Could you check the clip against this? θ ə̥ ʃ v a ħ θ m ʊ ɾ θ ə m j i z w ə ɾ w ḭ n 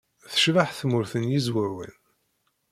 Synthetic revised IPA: θ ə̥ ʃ v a ħ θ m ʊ ɾ θ ə n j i z w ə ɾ w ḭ n